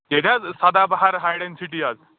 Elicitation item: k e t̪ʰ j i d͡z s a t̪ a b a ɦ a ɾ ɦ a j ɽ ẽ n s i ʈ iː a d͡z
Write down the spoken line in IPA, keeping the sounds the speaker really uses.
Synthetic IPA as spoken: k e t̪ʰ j a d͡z s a d̪ a b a ɦ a ɾ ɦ a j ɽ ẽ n s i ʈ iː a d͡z